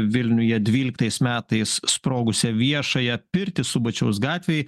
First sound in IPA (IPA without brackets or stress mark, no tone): ʋʲ